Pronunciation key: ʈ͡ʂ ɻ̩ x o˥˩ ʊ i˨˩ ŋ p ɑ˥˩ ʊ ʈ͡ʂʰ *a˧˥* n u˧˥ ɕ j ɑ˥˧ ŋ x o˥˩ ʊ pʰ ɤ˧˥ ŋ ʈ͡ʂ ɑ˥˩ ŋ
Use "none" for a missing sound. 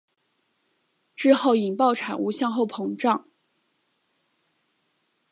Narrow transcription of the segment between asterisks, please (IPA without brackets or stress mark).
a˨˩